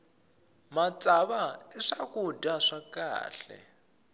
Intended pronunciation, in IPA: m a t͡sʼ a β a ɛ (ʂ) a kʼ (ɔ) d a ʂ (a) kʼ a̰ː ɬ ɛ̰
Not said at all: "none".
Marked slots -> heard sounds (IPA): ʂ, u, a

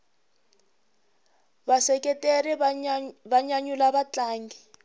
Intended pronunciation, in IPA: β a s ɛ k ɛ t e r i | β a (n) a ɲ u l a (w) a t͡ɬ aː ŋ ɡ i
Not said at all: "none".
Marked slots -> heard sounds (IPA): ɲ, β

